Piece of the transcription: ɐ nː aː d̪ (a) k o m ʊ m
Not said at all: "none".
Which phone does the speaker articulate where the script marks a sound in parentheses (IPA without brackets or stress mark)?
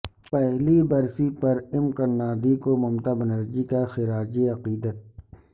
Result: i